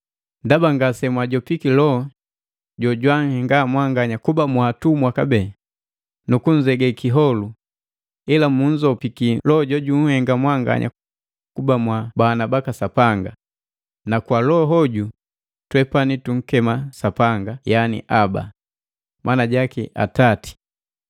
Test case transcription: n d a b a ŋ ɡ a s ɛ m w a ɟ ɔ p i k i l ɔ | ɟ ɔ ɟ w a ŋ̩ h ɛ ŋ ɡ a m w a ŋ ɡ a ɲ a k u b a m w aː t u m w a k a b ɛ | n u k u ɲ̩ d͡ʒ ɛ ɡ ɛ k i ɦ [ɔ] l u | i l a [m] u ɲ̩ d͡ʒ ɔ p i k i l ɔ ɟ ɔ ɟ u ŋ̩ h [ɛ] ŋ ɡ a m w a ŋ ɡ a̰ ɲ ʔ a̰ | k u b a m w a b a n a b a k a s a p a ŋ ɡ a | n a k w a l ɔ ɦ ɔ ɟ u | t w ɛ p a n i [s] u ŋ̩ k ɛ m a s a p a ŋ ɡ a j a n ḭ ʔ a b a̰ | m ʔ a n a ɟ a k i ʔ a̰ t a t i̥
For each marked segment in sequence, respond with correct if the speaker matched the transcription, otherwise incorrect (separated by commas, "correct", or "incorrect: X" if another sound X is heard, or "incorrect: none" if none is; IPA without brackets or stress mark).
correct, correct, correct, incorrect: t